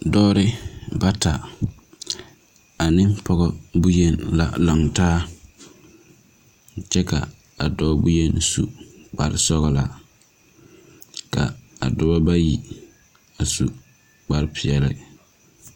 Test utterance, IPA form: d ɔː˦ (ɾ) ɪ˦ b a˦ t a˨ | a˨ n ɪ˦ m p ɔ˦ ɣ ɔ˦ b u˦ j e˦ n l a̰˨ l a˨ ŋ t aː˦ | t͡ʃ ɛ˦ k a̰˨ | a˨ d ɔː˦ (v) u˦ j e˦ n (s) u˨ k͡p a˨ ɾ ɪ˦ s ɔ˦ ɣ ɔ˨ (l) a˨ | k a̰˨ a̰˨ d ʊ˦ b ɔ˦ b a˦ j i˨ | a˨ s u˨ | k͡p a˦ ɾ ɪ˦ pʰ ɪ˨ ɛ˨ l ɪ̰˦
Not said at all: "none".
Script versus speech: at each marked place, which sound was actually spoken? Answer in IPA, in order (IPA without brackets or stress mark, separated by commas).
ɾ, b, s, l